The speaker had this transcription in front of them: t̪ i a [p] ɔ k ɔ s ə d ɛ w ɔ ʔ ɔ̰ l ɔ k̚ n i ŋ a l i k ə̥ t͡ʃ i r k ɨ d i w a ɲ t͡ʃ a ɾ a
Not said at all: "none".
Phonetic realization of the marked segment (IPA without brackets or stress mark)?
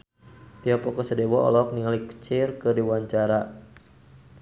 p